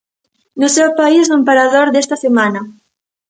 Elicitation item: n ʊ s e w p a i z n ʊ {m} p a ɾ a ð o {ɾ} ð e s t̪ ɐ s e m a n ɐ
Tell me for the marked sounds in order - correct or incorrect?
correct, correct

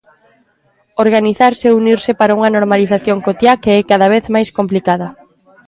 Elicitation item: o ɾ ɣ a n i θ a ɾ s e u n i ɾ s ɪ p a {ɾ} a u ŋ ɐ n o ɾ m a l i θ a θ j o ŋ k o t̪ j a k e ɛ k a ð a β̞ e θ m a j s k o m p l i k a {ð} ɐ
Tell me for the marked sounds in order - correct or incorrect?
correct, correct

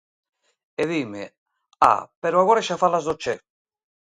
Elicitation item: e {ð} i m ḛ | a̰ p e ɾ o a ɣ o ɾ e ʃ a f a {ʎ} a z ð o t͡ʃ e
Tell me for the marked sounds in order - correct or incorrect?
correct, incorrect: l

